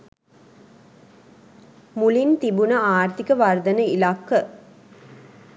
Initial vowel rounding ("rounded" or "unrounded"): rounded